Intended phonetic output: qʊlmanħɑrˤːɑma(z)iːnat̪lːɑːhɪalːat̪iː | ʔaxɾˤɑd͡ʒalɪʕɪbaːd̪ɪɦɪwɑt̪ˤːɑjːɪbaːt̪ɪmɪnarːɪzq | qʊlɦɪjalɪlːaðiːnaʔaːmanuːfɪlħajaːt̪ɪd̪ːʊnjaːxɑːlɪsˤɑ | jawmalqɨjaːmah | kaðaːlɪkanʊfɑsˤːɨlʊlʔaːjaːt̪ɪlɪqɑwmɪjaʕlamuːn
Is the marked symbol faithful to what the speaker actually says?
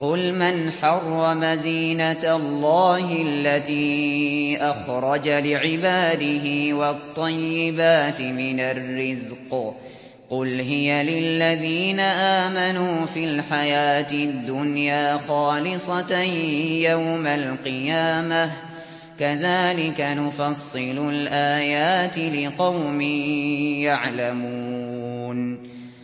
yes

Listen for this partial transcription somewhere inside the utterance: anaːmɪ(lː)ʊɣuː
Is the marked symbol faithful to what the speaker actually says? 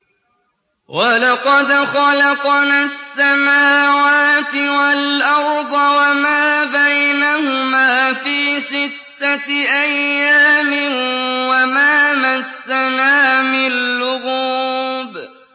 yes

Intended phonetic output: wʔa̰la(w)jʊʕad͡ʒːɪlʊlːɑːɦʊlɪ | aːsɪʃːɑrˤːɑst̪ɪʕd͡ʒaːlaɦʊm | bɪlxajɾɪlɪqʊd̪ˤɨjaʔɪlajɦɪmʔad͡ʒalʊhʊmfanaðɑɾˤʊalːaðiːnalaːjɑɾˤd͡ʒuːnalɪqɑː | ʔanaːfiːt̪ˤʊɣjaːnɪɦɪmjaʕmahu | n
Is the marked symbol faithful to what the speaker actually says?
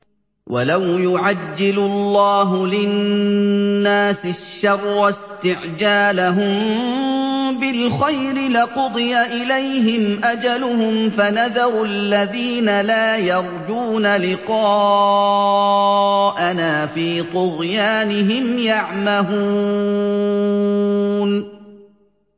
yes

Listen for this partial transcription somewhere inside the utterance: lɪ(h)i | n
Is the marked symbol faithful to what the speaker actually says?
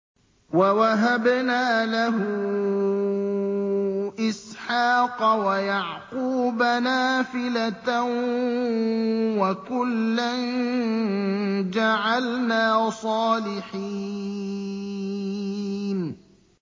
no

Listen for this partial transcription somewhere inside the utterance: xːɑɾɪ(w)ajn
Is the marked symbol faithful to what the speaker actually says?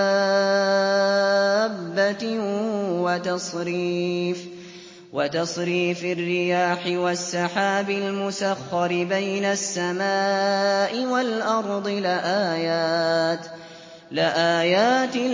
no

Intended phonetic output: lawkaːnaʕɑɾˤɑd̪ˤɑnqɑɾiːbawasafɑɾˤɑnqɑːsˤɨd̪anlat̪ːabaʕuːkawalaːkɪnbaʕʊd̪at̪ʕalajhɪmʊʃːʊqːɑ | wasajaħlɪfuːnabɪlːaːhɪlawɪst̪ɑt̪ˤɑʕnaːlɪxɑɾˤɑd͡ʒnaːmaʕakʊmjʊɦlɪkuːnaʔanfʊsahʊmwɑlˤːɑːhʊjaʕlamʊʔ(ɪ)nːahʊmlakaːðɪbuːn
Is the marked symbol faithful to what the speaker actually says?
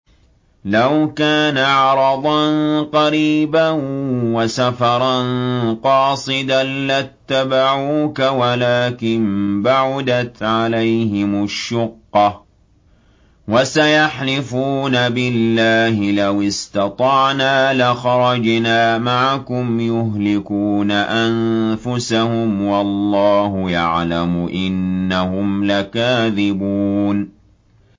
yes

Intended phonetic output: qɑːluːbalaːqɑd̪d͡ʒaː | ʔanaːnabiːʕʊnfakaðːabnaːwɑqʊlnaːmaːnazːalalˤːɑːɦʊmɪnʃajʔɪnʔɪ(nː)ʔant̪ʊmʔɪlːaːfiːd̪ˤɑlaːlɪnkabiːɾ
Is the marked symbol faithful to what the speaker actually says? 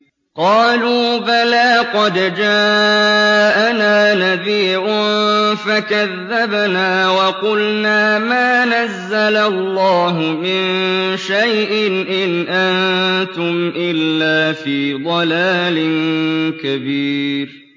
no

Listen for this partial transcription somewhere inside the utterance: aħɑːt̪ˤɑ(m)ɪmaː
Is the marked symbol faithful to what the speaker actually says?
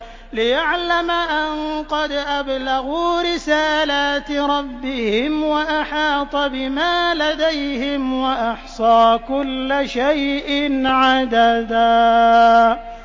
no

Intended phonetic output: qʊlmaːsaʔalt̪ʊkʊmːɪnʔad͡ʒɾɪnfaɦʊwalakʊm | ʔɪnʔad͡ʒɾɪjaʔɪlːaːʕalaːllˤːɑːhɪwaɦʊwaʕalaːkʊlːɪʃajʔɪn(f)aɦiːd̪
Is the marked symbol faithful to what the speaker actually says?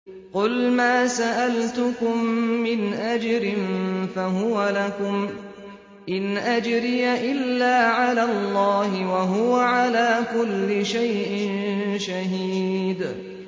no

